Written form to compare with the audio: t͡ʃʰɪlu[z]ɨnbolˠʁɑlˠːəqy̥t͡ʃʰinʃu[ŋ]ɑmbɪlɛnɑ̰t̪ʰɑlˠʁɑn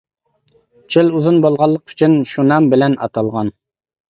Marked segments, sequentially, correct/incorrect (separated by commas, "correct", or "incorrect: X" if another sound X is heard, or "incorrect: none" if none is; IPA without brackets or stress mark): correct, incorrect: n